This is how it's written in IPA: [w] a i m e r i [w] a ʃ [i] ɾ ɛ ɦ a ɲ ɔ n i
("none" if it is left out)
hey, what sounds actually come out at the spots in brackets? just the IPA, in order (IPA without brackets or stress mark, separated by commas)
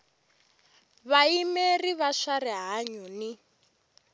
β, β, a